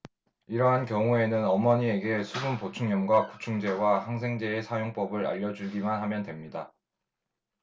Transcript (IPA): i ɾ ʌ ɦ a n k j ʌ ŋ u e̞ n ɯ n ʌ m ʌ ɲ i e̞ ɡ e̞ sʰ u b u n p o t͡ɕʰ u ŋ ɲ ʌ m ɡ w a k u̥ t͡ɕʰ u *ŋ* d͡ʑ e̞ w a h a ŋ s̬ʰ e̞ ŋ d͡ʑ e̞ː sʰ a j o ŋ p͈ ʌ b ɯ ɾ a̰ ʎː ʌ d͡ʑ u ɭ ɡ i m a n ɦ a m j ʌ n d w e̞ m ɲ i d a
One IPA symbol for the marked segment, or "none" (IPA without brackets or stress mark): ŋ